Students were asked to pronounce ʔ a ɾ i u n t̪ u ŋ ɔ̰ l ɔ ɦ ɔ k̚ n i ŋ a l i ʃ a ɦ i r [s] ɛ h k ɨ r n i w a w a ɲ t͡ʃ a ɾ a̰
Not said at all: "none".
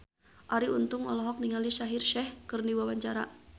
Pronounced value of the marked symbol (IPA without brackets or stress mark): ʃ